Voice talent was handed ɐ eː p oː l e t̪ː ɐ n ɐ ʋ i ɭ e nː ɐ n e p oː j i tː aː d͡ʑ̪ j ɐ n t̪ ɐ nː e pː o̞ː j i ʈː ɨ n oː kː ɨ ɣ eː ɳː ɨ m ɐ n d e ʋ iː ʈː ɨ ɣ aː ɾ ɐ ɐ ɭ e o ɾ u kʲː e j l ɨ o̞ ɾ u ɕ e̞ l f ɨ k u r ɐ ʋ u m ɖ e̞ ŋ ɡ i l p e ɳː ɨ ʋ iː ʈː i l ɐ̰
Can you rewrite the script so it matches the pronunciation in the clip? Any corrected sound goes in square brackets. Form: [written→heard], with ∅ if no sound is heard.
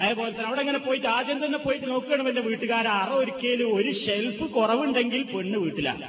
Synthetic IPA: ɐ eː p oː l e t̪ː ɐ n ɐ ʋ i [ɭ→ɽ] e [nː→ŋː] ɐ n e p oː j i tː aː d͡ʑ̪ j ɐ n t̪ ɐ nː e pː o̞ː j i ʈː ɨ n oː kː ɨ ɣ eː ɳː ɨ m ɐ n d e ʋ iː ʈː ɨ ɣ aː ɾ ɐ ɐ [ɭ→r] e o ɾ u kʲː e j l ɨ o̞ ɾ u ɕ e̞ l f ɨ k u r ɐ ʋ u [m→ɳ] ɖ e̞ ŋ ɡ i l p e ɳː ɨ ʋ iː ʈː i l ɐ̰